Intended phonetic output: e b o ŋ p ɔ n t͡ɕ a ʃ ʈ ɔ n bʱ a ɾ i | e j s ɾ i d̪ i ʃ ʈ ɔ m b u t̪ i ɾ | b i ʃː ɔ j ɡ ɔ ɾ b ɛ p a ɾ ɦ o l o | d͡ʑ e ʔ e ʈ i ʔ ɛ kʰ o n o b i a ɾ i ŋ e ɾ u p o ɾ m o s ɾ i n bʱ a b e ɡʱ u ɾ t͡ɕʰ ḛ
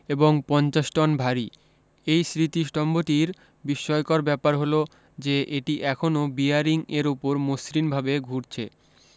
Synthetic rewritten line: e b o ŋ p ɔ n t͡ɕ a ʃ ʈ ɔ n bʱ a ɾ i | e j s ɾ i t̪ i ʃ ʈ ɔ m b o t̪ i ɾ | b i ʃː ɔ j k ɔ ɾ b ɛ p a ɾ ɦ o l o | d͡ʑ e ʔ e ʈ i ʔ ɛ kʰ o n o b i a ɾ i ŋ e ɾ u p o ɾ m o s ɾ i n bʱ a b e ɡʱ u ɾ t͡ɕʰ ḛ